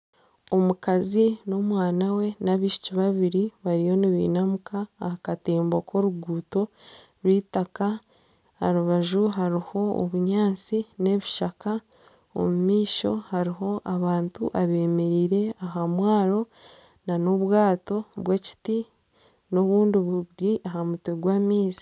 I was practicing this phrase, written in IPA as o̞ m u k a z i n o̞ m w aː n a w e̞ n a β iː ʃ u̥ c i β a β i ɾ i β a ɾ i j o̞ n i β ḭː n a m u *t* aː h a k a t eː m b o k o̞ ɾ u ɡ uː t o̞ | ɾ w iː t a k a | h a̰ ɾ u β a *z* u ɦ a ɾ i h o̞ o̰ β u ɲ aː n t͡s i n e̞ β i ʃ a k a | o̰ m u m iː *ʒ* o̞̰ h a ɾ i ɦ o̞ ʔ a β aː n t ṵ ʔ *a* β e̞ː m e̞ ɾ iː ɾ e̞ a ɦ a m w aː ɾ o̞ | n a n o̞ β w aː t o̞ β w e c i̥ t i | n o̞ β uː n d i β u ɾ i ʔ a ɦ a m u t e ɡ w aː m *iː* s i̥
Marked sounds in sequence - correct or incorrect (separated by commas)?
incorrect, incorrect, incorrect, correct, correct